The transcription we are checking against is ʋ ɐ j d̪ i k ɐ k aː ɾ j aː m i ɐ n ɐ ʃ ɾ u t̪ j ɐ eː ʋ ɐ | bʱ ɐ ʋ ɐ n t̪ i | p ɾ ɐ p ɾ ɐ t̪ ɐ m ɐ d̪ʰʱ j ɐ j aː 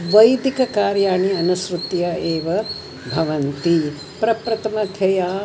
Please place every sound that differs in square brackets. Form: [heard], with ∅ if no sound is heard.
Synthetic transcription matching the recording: ʋ ɐ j d̪ i k ɐ k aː ɾ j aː [ɳ] i ɐ n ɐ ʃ ɾ u t̪ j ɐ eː ʋ ɐ | bʱ ɐ ʋ ɐ n t̪ i | p ɾ ɐ p ɾ ɐ t̪ ɐ m ɐ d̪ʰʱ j ɐ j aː